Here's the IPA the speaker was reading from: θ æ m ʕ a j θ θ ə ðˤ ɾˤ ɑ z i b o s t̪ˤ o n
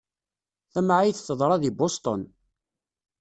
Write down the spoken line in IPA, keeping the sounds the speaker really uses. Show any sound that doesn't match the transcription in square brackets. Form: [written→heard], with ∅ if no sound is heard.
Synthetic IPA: θ æ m ʕ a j θ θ ə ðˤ ɾˤ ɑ [z→ð] i b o s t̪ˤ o n

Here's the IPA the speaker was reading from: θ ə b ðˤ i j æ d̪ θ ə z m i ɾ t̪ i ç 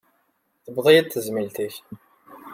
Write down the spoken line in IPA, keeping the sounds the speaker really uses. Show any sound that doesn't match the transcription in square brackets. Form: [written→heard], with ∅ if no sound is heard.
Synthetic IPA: θ ə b ðˤ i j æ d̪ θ ə z m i [ɾ→l] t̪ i ç

